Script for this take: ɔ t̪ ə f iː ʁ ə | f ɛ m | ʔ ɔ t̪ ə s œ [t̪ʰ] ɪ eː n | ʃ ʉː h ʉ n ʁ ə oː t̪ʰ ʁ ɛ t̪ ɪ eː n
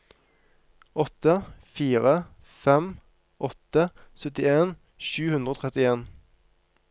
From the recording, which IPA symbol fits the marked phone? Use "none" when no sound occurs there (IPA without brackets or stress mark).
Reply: t̪